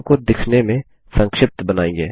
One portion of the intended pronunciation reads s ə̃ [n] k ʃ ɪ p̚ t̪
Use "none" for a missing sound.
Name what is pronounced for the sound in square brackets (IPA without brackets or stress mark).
ŋ